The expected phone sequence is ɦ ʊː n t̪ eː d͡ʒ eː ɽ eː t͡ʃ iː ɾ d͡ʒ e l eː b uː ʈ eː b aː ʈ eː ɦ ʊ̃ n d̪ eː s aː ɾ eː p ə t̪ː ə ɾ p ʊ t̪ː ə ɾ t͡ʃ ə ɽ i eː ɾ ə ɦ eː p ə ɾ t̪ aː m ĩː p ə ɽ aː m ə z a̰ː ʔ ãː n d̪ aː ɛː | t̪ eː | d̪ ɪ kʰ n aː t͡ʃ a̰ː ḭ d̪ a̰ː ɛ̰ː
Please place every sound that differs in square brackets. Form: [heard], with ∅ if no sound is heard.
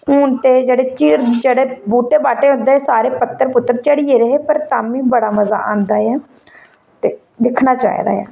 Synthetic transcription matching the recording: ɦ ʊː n t̪ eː d͡ʒ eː ɽ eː t͡ʃ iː ɾ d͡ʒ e [ɽ] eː b uː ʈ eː b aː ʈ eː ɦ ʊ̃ n d̪ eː s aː ɾ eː p ə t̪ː ə ɾ p ʊ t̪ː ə ɾ t͡ʃ ə ɽ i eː ɾ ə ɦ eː p ə ɾ t̪ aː m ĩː [b] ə ɽ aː m ə z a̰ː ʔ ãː n d̪ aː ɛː | t̪ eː | d̪ ɪ kʰ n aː t͡ʃ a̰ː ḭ d̪ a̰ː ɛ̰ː